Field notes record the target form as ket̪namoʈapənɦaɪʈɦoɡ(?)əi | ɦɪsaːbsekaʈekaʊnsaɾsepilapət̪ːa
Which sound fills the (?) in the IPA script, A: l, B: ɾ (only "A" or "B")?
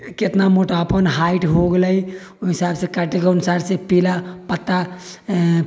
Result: A